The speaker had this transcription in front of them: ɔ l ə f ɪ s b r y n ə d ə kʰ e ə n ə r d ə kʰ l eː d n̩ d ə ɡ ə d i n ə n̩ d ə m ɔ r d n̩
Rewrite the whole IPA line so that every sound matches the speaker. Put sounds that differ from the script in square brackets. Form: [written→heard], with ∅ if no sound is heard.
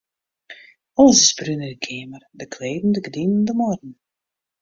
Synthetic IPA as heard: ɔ l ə [f→s] ɪ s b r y n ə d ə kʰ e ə [n→m] ə r d ə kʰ l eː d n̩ d ə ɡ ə d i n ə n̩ d ə m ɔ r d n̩